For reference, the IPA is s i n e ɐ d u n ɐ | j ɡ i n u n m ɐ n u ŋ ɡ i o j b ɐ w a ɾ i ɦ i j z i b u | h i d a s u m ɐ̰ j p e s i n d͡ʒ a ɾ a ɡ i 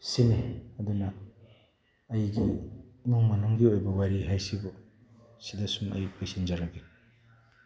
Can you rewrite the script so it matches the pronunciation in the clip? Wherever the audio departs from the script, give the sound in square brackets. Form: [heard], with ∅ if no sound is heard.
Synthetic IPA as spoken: s i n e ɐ d u n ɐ | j ɡ i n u [ŋ] m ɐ n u ŋ ɡ i o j b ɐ w a ɾ i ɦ [a] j [s] i b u | [s] i d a s u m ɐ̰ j p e s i n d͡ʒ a ɾ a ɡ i